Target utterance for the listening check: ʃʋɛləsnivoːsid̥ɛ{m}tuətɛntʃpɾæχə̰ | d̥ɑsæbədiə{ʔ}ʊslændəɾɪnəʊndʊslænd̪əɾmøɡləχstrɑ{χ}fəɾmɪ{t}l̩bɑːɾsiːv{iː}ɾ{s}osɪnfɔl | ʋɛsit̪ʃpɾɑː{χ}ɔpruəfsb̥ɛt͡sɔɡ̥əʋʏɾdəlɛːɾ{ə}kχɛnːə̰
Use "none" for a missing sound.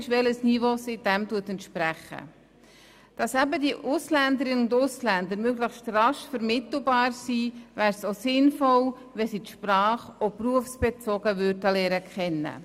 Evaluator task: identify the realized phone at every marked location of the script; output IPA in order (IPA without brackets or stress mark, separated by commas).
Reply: m, ʔ, ʃ, t, æː, s, χ, ə